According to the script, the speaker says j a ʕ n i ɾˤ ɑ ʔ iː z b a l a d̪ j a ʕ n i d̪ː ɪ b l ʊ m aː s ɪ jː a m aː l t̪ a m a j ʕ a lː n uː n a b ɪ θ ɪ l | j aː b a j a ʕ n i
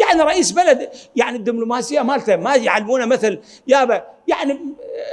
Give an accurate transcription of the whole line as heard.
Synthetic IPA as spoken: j a ʕ n i ɾˤ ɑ ʔ iː s b a l a d̪ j a ʕ n i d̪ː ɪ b l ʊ m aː s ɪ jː a m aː l t̪ a m a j ʕ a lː m uː n a m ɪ θ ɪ l | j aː b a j a ʕ n i